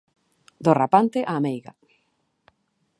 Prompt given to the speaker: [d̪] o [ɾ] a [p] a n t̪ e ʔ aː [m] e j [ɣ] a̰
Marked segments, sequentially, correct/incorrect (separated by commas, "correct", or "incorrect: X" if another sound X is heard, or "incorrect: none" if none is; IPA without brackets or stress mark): correct, incorrect: r, correct, correct, correct